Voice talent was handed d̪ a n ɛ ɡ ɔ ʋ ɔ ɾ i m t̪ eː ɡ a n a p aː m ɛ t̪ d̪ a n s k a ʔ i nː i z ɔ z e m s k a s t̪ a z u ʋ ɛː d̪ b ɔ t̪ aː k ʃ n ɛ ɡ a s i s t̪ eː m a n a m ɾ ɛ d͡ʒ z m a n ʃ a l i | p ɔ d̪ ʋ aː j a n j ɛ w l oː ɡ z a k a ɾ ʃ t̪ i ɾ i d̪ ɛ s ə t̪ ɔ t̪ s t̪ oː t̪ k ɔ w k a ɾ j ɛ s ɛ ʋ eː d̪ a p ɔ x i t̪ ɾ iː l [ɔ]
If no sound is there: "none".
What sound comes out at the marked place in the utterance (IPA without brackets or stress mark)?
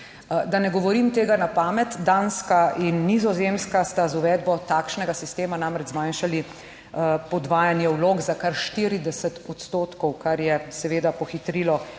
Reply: ɔ